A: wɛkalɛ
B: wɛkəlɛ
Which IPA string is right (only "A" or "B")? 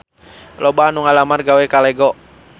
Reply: A